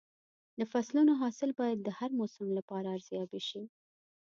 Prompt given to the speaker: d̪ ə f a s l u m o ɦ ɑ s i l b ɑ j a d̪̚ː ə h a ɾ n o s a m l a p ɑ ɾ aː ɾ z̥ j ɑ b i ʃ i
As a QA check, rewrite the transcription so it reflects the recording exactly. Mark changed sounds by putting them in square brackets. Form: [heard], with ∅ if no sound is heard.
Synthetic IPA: d̪ ə f a s l u [n] o ɦ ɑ s [ɪ] l b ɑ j a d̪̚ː ə h a ɾ [m] o s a m l a p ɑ ɾ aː ɾ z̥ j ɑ b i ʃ i